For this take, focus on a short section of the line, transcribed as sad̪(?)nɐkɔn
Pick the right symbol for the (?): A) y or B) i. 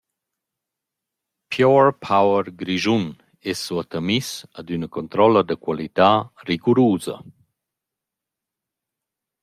A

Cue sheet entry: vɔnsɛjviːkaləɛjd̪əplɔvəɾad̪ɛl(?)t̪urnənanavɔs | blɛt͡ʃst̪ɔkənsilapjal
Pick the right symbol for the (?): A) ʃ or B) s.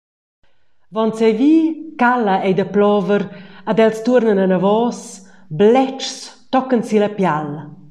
B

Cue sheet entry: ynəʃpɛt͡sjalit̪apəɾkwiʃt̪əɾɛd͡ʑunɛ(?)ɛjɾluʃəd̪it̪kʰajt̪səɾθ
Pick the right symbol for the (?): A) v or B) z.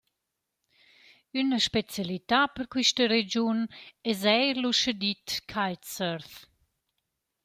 B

